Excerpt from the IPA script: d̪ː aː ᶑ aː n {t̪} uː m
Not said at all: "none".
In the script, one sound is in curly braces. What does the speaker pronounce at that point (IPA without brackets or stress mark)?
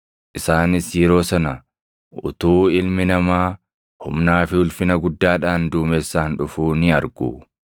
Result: d̪